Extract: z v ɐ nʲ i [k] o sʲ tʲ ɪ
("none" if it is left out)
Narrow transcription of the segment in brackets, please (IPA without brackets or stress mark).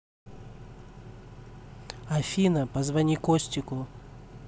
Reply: k